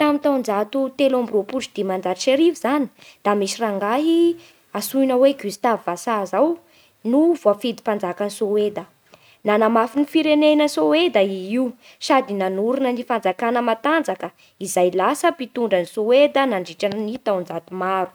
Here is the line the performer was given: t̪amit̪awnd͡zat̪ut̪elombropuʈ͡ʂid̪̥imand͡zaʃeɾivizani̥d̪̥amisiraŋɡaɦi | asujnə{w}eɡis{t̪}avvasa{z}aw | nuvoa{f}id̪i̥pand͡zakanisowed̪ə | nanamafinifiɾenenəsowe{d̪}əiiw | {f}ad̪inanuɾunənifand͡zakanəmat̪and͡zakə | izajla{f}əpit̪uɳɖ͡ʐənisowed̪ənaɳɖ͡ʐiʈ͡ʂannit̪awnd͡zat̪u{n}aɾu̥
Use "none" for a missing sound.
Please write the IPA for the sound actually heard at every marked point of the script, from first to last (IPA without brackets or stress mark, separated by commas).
w, t̪, z, f, d̪, s, s, m